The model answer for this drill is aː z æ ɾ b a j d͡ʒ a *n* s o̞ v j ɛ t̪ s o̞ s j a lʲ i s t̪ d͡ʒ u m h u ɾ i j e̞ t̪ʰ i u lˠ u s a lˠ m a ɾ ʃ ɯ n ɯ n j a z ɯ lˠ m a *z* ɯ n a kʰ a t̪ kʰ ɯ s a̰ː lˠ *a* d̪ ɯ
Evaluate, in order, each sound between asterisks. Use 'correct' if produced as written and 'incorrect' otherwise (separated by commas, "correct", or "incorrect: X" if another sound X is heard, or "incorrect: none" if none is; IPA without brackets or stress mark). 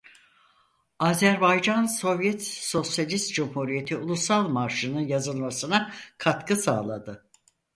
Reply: correct, incorrect: s, correct